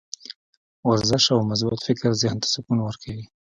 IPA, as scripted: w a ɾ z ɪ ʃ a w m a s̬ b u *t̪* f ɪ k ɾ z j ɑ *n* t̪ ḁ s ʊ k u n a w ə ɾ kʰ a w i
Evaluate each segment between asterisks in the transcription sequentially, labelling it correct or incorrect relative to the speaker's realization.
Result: correct, correct

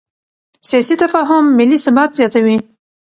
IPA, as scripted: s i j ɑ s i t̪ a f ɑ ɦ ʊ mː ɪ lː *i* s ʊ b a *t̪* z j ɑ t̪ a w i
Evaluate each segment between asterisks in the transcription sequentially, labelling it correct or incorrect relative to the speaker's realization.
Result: correct, correct

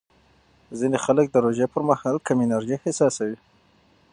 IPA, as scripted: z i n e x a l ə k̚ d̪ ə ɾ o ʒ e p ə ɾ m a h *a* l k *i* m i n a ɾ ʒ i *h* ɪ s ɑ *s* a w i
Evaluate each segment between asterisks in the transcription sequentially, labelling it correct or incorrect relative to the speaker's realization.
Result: incorrect: ɑ, incorrect: a, correct, correct

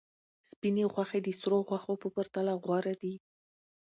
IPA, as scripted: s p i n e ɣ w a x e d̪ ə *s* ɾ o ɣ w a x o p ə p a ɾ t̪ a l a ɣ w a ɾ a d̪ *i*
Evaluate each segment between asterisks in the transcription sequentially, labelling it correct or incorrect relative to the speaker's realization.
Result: correct, correct

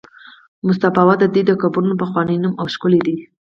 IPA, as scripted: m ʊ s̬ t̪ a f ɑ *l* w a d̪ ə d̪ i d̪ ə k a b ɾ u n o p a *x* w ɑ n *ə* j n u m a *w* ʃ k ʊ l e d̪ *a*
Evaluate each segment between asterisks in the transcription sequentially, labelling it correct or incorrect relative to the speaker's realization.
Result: incorrect: none, correct, correct, correct, incorrect: i

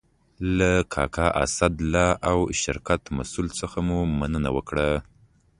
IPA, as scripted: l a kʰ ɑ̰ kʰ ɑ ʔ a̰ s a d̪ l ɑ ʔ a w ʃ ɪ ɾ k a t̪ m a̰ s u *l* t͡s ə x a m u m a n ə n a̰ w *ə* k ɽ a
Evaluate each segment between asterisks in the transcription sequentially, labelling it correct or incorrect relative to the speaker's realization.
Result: correct, correct

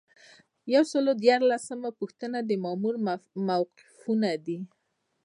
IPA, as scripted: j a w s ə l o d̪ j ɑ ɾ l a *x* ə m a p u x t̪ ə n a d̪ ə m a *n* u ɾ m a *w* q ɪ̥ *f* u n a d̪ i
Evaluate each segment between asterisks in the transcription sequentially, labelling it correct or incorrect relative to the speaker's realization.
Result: incorrect: s, incorrect: m, correct, correct

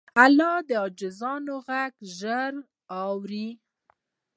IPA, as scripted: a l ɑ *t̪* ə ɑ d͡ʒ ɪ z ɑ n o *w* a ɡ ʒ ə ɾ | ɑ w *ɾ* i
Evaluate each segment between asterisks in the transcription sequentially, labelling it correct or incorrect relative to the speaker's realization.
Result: incorrect: d̪, incorrect: ɣ, correct

